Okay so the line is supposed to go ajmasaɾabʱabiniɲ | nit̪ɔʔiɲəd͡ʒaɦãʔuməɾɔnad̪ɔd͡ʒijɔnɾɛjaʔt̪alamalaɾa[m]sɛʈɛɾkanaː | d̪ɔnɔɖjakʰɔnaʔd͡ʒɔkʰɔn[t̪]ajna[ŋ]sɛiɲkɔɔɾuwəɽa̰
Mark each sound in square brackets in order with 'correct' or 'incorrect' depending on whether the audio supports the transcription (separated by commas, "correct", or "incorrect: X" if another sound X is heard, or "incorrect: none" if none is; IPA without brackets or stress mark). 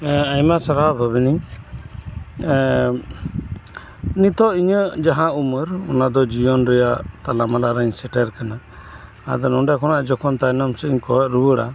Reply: incorrect: ɲ, correct, incorrect: m